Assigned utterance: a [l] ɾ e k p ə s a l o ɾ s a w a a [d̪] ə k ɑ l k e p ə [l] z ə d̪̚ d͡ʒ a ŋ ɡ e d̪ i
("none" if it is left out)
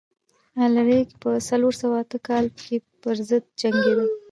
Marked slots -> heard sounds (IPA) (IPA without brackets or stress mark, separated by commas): l, t̪, ɾ